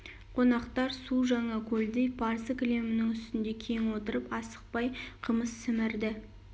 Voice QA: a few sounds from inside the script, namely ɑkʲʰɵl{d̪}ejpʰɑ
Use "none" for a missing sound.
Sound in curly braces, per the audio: d̪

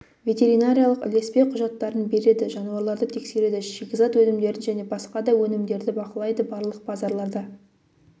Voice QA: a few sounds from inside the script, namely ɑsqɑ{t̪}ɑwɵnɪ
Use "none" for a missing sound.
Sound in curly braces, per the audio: d̪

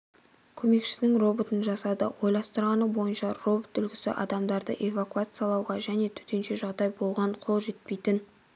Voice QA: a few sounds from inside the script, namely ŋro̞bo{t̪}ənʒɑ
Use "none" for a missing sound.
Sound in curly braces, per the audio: t̪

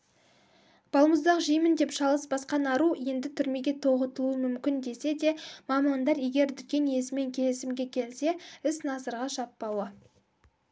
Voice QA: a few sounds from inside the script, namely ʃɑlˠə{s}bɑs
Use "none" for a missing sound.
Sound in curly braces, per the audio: s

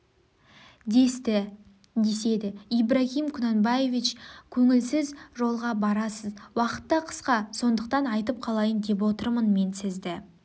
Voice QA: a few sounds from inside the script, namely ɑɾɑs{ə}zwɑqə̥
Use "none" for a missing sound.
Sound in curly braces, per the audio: ə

